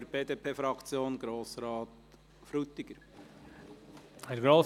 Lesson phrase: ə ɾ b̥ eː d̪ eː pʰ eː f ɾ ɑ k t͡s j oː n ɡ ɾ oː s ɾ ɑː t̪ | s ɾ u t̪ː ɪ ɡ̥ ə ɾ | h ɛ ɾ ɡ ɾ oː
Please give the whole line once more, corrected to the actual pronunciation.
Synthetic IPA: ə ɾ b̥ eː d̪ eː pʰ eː f ɾ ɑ k t͡s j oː n ɡ ɾ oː s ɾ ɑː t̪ | f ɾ u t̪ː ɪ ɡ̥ ə ɾ | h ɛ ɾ ɡ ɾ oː